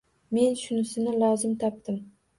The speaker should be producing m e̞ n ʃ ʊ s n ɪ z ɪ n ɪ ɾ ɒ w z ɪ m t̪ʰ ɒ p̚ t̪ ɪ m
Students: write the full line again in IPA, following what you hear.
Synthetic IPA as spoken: m e̞ n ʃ ʊ n ɪ s ɪ n ɪ l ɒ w z ɪ m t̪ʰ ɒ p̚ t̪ ɪ m